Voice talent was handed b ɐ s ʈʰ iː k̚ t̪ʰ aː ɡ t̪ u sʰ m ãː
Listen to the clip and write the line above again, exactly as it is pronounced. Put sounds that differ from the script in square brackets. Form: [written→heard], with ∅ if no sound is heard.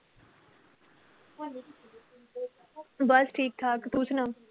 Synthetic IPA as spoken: b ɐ s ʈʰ iː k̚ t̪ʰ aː [ɡ→k] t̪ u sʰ [m→n] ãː